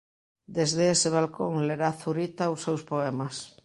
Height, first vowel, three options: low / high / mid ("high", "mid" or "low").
mid